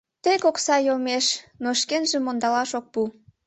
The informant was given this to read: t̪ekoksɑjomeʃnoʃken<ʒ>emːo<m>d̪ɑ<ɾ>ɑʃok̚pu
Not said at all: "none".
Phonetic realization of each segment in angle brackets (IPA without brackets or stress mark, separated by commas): ʒ, n, l